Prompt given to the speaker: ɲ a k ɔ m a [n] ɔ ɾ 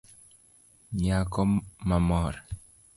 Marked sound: incorrect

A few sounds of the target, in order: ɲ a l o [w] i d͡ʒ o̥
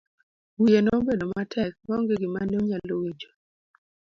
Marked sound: correct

